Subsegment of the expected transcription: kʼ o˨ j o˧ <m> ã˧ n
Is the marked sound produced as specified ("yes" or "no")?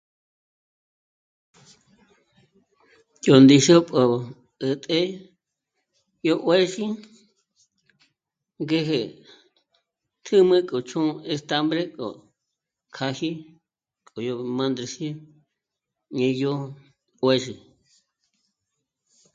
yes